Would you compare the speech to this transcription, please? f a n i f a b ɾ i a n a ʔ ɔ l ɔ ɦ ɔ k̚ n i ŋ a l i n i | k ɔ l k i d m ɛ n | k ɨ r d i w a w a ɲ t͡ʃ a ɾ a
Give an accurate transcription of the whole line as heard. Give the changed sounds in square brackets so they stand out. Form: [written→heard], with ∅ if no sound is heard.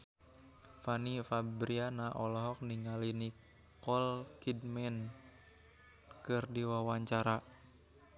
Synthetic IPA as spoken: f a n i f a b ɾ i a n a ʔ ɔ l ɔ ɦ ɔ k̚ n i ŋ a l i n i | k ɔ l k i d m ɛ n | k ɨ r d i w a w a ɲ t͡ʃ a ɾ a

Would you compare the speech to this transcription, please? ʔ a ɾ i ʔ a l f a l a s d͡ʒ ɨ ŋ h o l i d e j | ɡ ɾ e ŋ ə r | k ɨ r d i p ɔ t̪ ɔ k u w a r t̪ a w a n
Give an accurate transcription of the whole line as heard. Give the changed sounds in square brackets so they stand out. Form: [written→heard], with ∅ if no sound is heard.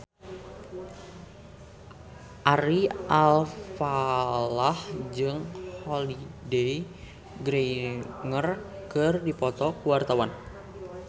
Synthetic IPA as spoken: ʔ a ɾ i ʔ a l f a l a [s→h] d͡ʒ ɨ ŋ h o l i d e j | ɡ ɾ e ŋ ə r | k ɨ r d i p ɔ t̪ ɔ k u w a r t̪ a w a n

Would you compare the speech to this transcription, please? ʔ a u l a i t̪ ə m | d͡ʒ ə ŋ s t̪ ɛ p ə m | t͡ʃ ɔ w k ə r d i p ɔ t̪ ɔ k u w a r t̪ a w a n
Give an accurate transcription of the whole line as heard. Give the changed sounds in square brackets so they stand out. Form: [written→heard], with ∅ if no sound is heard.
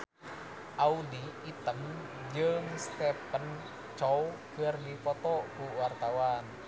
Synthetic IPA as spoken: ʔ a u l [a→i] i t̪ ə m | d͡ʒ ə ŋ s t̪ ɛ p ə [m→n] | t͡ʃ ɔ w k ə r d i p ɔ t̪ ɔ k u w a r t̪ a w a n

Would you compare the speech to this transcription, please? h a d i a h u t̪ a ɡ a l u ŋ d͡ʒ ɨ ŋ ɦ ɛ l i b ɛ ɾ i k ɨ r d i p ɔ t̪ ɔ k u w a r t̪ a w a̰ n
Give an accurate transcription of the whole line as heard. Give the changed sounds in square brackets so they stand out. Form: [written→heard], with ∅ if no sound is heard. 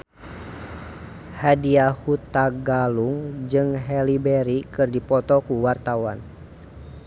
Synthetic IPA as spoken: h a d i a h u t̪ a ɡ a l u ŋ d͡ʒ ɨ ŋ ɦ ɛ l i b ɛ ɾ i k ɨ r d i p ɔ t̪ ɔ k u w a r t̪ a w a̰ n

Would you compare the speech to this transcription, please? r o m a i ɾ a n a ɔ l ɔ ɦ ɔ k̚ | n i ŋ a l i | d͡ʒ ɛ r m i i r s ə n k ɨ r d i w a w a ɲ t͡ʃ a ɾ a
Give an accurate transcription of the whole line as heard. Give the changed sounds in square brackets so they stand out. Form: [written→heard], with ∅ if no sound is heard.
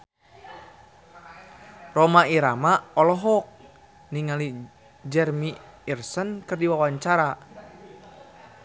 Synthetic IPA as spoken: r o m a i ɾ a [n→m] a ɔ l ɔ ɦ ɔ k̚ | n i ŋ a l i | d͡ʒ ɛ r m i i r s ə n k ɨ r d i w a w a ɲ t͡ʃ a ɾ a

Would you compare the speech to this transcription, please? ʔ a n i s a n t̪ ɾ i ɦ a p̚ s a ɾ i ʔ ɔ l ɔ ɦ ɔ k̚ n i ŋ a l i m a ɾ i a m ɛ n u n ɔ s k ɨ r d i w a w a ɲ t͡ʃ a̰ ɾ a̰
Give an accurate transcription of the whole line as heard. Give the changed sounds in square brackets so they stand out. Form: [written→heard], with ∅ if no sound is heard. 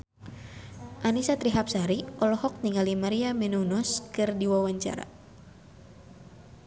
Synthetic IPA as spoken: ʔ a n i s a [n→∅] t̪ ɾ i ɦ a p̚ s a ɾ i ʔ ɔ l ɔ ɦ ɔ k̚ n i ŋ a l i m a ɾ i a m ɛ n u n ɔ s k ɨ r d i w a w a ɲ t͡ʃ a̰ ɾ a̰

